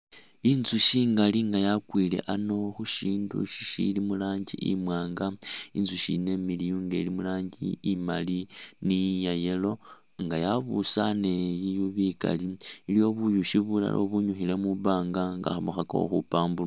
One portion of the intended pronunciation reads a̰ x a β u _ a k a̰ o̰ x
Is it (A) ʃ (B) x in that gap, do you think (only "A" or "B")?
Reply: B